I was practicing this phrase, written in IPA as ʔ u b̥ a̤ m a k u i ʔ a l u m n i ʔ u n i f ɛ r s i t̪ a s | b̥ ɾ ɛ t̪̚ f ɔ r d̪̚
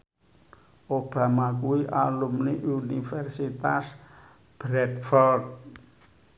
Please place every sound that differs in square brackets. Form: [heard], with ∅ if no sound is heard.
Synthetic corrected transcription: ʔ [o] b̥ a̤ m a k u i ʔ a l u m n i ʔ u n i f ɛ r s i t̪ a s | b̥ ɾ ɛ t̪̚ f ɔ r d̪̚